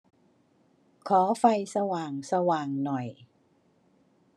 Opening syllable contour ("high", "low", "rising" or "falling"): rising